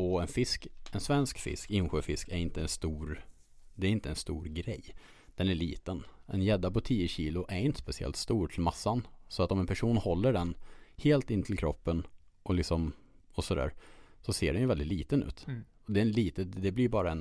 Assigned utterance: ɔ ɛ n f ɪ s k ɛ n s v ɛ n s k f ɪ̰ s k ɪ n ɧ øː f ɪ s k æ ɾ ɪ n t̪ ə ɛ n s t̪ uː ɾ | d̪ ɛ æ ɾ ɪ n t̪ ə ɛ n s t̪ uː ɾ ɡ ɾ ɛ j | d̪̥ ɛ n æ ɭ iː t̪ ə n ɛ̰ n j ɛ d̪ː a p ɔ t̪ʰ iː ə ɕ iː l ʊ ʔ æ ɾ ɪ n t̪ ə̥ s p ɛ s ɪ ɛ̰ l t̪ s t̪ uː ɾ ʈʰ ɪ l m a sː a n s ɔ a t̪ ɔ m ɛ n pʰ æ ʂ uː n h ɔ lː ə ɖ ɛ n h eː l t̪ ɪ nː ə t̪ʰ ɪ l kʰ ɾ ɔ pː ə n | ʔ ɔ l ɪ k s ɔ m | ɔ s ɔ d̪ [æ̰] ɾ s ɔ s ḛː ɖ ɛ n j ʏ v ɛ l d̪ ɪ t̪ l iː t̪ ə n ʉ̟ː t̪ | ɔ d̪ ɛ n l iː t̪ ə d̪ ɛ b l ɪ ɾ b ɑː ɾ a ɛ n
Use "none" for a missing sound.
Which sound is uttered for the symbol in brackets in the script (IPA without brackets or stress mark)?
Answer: æ̰ː